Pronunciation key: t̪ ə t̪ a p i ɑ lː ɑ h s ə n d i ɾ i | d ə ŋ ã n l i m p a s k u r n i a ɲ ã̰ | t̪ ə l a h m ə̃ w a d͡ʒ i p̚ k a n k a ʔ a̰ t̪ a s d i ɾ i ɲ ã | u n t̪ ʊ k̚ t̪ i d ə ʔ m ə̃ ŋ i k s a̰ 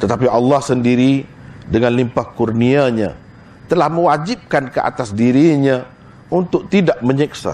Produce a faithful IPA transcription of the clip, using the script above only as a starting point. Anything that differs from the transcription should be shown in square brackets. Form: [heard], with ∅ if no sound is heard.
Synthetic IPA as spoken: t̪ ə t̪ a p i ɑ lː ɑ h s ə n d i ɾ i | d ə ŋ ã n l i m p a [h] k u r n i a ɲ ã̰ | t̪ ə l a h m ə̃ w a d͡ʒ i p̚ k a n k [ə] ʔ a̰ t̪ a s d i ɾ i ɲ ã | u n t̪ ʊ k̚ t̪ i d [a] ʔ m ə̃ [ɲ] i k s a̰